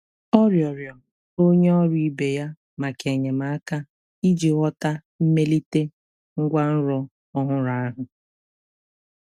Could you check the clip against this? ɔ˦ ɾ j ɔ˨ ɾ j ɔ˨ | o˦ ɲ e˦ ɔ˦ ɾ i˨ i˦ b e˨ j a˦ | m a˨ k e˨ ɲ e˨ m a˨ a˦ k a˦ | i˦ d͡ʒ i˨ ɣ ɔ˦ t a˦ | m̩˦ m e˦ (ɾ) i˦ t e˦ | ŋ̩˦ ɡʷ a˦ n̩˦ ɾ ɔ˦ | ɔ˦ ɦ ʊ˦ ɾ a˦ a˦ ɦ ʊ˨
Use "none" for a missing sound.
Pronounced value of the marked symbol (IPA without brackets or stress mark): l